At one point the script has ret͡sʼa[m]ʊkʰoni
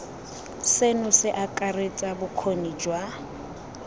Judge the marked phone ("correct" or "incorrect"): incorrect